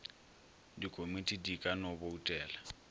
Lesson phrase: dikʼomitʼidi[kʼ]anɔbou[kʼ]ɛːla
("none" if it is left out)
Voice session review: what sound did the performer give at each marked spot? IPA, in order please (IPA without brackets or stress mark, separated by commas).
kʼ, tʼ